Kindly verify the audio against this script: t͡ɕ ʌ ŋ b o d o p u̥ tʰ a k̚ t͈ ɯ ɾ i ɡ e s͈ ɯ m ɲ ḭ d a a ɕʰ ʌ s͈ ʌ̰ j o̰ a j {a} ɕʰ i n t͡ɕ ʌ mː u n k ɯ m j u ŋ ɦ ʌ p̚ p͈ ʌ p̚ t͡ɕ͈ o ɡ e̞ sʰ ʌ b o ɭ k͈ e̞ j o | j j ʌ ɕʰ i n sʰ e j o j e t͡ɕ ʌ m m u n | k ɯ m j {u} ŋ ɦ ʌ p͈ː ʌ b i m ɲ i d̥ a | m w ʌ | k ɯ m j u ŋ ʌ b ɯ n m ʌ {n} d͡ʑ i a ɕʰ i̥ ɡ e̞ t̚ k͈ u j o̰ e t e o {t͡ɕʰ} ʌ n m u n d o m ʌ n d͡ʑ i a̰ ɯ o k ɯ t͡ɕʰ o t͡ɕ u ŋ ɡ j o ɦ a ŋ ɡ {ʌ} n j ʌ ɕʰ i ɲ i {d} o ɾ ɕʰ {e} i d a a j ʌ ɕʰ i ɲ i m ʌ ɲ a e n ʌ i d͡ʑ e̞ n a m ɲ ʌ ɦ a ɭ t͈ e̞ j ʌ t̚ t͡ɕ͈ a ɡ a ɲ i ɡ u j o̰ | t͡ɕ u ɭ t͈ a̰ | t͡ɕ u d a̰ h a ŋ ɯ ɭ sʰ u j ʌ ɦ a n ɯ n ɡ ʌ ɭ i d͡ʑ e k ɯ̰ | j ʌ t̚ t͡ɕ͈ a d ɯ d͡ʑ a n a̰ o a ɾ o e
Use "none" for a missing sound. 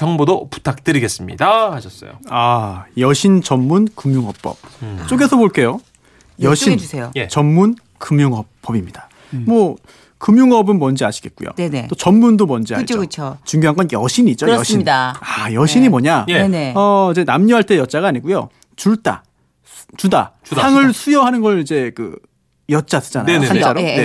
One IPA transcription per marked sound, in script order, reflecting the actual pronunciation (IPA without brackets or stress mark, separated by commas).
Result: ʌ, u, n, t͡ɕ, ʌ, d͡ʑ, i